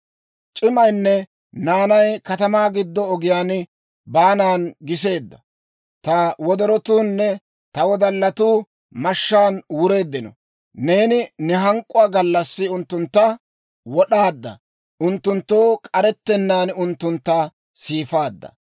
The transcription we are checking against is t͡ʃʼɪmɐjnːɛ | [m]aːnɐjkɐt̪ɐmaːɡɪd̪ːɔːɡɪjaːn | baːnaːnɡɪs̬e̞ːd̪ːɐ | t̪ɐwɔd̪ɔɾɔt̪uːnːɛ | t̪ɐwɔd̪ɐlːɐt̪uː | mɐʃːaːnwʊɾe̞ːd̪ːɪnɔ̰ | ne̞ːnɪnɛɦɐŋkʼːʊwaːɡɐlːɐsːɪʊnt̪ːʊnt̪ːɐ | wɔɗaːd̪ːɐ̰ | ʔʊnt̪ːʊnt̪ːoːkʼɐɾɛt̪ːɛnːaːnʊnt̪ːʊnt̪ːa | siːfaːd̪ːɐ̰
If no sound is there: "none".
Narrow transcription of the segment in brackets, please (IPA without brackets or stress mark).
n